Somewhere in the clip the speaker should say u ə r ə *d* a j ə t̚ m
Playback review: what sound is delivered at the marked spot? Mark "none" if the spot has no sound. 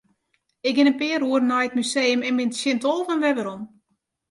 n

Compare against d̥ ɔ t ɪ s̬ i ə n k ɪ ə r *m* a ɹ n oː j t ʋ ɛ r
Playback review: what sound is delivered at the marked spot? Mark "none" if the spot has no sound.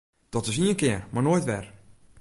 m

